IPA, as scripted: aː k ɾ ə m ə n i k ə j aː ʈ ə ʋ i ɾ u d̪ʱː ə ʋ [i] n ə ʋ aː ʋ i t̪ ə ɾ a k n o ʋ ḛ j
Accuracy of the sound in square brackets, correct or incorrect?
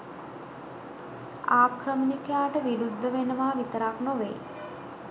incorrect